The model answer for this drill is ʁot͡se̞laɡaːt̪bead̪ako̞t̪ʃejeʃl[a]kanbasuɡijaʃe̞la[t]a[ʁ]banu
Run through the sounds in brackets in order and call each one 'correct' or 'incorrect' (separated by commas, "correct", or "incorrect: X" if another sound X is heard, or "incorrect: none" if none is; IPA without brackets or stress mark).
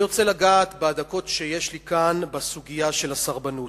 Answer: incorrect: i, incorrect: s, correct